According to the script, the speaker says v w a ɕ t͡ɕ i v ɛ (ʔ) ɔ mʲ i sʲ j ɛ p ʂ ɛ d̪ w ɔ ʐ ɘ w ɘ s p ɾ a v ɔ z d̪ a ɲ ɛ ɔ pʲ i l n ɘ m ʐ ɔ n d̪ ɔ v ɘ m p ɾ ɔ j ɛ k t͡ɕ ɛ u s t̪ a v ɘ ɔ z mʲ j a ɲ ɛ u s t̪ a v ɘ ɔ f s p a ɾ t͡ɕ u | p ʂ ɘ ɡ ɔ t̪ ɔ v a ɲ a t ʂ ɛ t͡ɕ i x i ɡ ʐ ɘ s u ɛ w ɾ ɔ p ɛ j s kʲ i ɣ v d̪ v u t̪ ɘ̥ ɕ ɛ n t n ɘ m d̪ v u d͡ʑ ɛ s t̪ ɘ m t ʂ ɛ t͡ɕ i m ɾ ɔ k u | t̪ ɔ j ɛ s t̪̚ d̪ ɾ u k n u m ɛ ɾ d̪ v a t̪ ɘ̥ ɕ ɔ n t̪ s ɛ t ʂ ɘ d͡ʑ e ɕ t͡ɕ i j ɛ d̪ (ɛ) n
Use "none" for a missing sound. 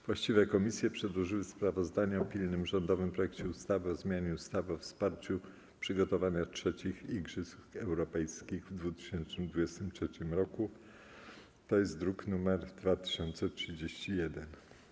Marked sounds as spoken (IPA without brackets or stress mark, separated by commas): k, ɛ